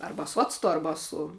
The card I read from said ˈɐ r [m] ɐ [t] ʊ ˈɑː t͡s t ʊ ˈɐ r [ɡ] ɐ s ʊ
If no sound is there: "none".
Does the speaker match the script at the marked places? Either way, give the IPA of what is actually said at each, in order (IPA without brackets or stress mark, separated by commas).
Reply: b, s, b